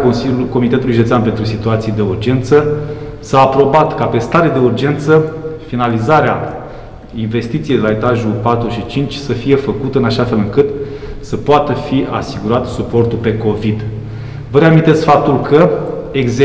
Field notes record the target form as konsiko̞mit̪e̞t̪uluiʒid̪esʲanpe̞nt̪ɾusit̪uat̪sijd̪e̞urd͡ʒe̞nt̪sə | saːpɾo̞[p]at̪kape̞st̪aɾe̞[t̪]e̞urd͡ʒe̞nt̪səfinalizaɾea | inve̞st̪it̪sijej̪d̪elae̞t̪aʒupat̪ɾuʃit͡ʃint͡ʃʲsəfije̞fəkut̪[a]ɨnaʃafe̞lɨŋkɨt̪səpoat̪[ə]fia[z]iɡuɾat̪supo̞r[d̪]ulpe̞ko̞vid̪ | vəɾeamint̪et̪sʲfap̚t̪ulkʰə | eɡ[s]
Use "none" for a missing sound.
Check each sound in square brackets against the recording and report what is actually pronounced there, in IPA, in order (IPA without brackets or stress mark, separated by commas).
b, d̪, ə, ə, s, t̪, z